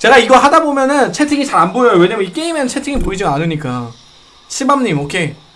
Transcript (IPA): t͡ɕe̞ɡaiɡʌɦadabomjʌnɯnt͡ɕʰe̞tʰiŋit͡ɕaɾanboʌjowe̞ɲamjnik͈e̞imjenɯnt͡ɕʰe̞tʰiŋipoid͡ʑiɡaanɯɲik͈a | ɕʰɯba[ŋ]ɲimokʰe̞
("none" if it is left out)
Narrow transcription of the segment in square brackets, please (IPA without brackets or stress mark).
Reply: m